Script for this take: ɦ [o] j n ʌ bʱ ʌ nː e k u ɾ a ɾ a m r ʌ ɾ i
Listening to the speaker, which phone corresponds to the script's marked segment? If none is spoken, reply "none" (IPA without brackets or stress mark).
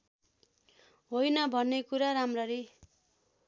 o